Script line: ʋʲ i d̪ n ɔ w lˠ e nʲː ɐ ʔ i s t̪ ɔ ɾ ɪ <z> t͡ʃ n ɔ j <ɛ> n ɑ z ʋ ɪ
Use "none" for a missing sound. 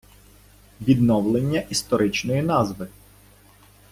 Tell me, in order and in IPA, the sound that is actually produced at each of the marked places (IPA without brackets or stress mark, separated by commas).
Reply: none, i